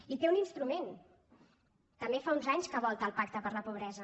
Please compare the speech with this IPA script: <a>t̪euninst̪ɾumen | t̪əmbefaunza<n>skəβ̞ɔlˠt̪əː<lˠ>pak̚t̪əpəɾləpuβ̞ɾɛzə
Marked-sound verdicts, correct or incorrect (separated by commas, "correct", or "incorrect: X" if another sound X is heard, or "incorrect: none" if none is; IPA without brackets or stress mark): incorrect: i, incorrect: ɲ, correct